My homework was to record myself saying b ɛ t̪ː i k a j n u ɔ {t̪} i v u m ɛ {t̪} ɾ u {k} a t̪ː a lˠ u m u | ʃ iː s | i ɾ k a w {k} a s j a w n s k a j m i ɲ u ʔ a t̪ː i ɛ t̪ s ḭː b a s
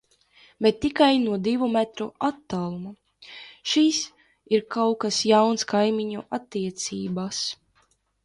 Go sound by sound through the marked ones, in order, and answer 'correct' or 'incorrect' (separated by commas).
incorrect, correct, incorrect, correct